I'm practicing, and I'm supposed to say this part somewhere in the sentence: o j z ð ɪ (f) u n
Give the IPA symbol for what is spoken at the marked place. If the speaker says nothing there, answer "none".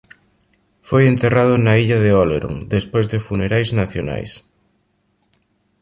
f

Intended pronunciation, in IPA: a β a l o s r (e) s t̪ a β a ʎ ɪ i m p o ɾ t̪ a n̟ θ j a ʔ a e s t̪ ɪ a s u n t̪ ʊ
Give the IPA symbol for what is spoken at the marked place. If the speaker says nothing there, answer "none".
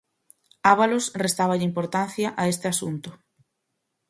e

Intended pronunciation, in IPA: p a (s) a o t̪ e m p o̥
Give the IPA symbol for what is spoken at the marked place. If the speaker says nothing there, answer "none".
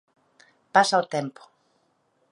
s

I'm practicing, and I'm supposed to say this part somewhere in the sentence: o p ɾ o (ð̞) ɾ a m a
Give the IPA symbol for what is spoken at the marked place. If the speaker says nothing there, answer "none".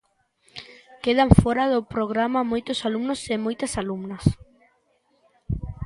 ɣ̞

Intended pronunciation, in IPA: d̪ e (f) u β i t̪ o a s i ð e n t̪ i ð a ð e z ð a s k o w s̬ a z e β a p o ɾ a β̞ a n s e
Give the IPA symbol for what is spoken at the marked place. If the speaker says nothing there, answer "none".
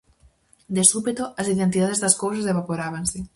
s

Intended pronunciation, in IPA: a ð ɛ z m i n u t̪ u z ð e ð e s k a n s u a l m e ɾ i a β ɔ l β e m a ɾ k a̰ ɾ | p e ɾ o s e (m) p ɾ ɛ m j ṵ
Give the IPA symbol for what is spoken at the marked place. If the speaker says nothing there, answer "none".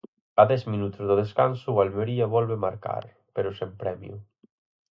m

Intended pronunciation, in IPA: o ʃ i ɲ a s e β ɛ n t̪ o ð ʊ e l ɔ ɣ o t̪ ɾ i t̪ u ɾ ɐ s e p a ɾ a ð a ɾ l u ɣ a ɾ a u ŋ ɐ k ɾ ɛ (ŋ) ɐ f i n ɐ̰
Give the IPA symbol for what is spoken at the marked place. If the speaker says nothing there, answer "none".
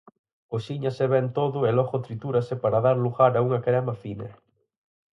m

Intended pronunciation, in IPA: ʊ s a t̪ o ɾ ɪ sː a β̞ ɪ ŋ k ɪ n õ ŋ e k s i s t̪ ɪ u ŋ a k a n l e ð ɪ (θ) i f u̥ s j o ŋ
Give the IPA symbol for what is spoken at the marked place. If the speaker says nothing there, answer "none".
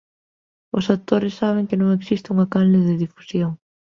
ð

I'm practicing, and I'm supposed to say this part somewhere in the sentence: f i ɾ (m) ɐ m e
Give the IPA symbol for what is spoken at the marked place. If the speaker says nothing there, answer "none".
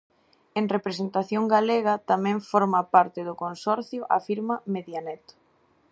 m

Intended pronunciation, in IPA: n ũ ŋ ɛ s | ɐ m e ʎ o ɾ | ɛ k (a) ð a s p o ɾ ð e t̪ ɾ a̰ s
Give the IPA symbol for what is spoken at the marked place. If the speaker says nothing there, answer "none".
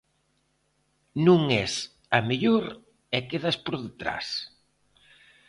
e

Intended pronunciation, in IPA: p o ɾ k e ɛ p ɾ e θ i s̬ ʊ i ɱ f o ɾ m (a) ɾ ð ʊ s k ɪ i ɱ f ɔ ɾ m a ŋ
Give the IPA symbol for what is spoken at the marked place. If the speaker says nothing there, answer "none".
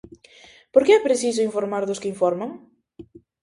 a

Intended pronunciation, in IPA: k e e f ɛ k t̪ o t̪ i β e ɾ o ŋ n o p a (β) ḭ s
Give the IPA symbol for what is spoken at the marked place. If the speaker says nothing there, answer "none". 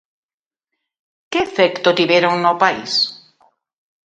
none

